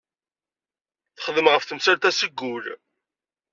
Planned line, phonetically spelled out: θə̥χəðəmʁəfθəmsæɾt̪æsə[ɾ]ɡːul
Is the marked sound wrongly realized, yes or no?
yes